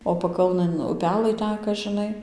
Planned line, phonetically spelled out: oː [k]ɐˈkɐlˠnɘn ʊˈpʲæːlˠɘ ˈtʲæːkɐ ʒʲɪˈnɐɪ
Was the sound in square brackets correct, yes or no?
no